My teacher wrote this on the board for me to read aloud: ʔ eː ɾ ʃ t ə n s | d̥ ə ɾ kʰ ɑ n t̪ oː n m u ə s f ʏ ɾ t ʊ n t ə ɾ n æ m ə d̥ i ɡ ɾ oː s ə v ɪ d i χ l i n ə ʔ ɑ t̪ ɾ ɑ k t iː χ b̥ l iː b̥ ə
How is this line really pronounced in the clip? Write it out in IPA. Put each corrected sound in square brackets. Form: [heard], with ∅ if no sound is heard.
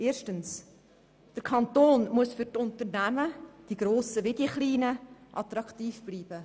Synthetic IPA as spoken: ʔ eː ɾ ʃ t ə n s | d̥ ə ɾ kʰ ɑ n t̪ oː n m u ə s f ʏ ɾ t ʊ n t ə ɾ n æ m ə d̥ i ɡ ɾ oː s ə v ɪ d i χ l [iː] n ə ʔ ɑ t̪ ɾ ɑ k t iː [f] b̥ l iː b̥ ə